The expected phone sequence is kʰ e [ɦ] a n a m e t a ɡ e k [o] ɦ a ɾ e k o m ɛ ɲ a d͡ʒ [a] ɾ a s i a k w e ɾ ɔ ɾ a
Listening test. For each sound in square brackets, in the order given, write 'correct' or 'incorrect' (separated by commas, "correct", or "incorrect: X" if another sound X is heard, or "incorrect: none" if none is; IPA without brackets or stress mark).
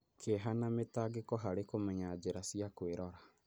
correct, incorrect: ɔ, incorrect: e